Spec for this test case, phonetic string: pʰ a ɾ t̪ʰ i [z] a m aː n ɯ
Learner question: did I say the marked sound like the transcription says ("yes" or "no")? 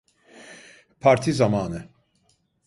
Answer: yes